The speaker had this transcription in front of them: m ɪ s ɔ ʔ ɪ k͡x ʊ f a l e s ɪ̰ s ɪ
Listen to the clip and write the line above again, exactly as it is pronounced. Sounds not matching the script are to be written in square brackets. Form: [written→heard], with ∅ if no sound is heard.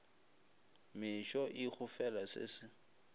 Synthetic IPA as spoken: m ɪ [s→ʃ] ɔ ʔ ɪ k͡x ʊ f [a→ɛ] l [e→a] s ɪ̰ s ɪ